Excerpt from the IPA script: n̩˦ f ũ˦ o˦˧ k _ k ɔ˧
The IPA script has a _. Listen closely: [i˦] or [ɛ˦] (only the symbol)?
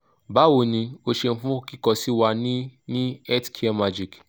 i˦